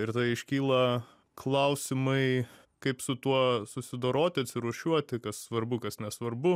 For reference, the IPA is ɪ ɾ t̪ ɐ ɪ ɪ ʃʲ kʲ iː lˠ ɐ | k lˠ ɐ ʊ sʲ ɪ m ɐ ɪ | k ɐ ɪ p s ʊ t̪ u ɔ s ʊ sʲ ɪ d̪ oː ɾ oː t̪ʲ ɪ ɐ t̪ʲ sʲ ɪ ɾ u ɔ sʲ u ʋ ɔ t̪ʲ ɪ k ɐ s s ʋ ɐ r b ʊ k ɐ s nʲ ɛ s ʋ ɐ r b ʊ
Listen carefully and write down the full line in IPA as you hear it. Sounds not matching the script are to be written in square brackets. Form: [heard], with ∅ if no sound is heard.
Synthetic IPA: ɪ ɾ t̪ ɐ ɪ ɪ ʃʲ kʲ iː lˠ ɐ | k lˠ ɐ ʊ sʲ ɪ m ɐ ɪ | k ɐ ɪ p s ʊ t̪ u ɔ s ʊ sʲ ɪ d̪ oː ɾ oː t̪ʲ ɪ ɐ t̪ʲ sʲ ɪ ɾ u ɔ [ʃʲ] u [∅] ɔ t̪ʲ ɪ k ɐ s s ʋ ɐ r b ʊ k ɐ s nʲ ɛ s ʋ ɐ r b ʊ

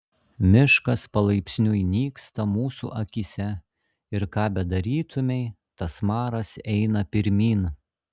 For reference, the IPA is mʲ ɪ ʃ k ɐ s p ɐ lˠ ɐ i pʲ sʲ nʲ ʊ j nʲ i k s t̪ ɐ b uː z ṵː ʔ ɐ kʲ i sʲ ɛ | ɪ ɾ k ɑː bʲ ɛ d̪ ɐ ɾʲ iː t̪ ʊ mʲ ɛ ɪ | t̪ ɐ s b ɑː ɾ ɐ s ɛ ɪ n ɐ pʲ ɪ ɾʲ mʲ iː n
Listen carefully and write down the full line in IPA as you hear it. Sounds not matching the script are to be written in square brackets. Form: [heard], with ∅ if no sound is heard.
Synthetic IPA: mʲ ɪ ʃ k ɐ s p ɐ lˠ ɐ [ɪ] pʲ sʲ nʲ ʊ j nʲ [iː] k s t̪ ɐ [m] uː [s] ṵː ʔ ɐ kʲ i sʲ ɛ | ɪ ɾ k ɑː bʲ ɛ d̪ ɐ ɾʲ iː t̪ ʊ mʲ ɛ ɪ | t̪ ɐ s [m] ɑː ɾ ɐ s ɛ ɪ n ɐ pʲ ɪ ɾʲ mʲ iː n

